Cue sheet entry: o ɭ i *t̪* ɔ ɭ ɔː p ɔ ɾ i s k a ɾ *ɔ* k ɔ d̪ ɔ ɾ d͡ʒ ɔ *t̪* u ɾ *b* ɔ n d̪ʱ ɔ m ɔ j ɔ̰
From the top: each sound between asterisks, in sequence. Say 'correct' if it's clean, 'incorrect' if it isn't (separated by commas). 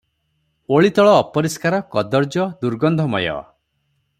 correct, correct, incorrect, incorrect